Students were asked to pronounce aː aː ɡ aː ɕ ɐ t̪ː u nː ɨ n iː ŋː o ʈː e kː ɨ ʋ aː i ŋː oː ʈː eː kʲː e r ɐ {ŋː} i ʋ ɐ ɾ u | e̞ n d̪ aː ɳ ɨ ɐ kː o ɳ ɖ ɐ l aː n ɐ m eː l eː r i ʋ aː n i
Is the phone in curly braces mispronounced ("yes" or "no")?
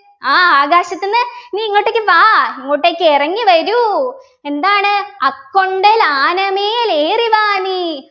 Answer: no